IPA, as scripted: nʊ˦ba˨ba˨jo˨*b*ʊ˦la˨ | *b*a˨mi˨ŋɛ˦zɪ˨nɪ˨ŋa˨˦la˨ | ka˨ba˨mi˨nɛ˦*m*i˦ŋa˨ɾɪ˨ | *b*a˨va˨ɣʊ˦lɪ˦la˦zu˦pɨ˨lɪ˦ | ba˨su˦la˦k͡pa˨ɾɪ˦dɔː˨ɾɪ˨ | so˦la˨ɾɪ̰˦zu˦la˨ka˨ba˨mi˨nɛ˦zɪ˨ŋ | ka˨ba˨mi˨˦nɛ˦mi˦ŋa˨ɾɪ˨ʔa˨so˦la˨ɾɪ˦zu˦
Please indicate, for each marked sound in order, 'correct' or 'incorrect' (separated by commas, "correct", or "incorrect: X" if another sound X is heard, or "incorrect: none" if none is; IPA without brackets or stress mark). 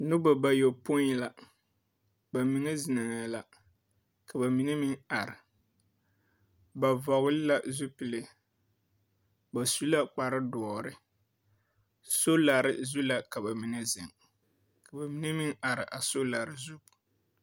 incorrect: p, correct, correct, correct